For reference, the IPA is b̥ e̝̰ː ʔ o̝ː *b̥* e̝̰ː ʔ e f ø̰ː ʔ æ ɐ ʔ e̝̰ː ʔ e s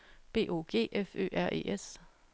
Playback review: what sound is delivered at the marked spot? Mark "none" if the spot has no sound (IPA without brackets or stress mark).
ɡ̥